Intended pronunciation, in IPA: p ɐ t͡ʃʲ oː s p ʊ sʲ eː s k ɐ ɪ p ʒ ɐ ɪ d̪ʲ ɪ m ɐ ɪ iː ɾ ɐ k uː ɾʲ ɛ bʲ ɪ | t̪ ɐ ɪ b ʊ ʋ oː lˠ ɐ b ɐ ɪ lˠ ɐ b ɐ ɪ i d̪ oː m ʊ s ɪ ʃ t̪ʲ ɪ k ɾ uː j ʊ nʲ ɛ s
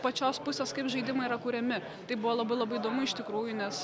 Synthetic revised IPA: p ɐ t͡ʃʲ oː s p ʊ sʲ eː s k ɐ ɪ p ʒ ɐ ɪ d̪ʲ ɪ m ɐ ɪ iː ɾ ɐ k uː ɾʲ ɛ mʲ ɪ | t̪ ɐ ɪ b ʊ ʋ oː lˠ ɐ b ɐ ɪ lˠ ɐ b ɐ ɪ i d̪ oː m ʊ ɪ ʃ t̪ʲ ɪ k ɾ uː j ʊ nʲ ɛ s